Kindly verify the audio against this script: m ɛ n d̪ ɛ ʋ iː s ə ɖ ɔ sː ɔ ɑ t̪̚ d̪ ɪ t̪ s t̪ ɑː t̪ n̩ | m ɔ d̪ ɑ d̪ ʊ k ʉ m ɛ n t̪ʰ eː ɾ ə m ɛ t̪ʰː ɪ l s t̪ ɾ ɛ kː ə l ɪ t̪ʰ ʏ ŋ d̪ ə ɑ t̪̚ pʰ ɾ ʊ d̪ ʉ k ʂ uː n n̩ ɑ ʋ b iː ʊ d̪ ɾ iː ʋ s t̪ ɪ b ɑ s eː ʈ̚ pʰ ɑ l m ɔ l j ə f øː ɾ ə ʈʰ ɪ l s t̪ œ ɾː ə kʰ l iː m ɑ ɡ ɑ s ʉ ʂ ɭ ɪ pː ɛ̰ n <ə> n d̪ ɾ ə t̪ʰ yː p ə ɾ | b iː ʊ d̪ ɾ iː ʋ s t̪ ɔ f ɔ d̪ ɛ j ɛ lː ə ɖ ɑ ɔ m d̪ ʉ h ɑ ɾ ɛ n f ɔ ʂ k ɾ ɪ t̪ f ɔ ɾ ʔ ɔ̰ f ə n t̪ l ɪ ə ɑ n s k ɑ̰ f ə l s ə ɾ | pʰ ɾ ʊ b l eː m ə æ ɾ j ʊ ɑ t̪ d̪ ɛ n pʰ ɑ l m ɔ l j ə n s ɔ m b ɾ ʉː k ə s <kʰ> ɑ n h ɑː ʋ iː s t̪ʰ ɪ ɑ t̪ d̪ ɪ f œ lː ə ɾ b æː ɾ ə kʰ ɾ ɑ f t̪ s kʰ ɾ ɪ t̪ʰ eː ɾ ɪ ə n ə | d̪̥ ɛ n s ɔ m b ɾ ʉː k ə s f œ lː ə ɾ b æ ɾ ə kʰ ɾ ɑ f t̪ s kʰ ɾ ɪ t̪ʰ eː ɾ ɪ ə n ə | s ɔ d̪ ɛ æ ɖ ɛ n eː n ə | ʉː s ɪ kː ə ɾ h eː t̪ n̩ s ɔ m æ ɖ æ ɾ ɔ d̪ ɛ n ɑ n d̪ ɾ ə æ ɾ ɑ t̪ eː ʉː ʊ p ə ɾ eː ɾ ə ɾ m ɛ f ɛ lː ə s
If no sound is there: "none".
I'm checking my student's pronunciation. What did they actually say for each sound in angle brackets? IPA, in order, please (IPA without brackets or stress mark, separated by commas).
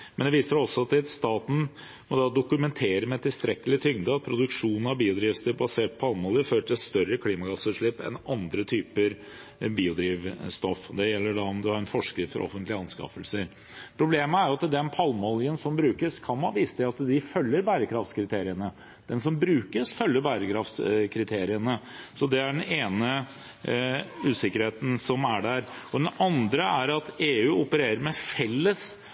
ɑ, kʰ